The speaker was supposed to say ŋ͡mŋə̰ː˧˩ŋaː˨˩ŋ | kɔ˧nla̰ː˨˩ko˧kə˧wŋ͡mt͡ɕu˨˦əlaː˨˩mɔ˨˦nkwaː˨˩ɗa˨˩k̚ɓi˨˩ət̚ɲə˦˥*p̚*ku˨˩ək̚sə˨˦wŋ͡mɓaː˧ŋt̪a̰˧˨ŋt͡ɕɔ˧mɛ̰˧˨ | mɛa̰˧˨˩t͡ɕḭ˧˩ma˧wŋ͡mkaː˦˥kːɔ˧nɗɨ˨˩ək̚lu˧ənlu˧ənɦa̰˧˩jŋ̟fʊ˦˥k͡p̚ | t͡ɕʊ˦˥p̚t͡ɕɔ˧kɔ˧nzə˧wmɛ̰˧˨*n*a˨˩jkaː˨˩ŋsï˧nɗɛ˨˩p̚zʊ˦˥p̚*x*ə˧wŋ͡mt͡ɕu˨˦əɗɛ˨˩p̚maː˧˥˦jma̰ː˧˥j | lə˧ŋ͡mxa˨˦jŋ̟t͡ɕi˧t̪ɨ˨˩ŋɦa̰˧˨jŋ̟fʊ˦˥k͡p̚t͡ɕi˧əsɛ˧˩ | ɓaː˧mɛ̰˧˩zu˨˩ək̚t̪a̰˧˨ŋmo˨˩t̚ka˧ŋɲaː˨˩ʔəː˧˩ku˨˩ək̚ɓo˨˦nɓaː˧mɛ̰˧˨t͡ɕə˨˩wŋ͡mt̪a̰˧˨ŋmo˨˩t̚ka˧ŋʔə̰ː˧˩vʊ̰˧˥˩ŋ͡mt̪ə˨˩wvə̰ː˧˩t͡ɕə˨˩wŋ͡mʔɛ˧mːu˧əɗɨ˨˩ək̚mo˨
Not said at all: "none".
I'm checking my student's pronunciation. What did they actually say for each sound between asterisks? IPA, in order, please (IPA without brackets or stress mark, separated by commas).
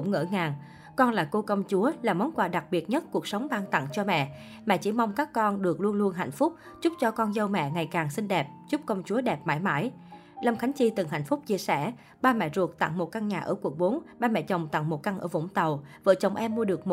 t̚, ŋ, k